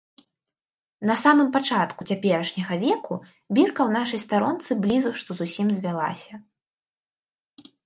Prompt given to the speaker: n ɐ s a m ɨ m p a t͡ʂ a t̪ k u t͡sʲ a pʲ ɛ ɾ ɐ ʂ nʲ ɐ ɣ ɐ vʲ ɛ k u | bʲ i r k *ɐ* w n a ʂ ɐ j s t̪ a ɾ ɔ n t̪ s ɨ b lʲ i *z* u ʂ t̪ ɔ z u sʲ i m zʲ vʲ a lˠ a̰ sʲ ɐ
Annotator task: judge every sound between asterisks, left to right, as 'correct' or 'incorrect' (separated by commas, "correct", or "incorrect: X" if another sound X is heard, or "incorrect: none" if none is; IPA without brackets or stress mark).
correct, correct